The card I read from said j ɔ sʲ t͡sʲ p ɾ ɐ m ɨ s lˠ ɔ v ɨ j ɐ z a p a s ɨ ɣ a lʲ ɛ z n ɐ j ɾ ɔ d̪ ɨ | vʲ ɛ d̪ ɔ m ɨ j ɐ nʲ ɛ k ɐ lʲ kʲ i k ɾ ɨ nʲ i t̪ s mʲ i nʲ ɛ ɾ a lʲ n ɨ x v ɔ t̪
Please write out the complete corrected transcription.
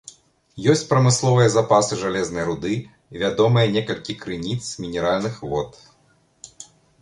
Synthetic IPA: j ɔ sʲ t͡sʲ p ɾ ɐ m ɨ s lˠ ɔ v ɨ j ɐ z a p a s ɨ ʐ a lʲ ɛ z n ɐ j ɾ u d̪ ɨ | vʲ a d̪ ɔ m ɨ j ɐ nʲ ɛ k ɐ lʲ kʲ i k ɾ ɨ nʲ i t̪ s mʲ i nʲ ɛ ɾ a lʲ n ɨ x v ɔ t̪